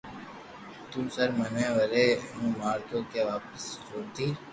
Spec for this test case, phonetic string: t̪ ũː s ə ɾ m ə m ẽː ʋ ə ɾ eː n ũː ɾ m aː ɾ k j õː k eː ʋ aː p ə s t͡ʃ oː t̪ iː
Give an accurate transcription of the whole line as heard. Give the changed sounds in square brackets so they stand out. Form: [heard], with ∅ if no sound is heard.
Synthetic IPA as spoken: t̪ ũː s ə ɾ m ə [n] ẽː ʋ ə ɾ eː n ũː [∅] m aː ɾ k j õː k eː ʋ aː p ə s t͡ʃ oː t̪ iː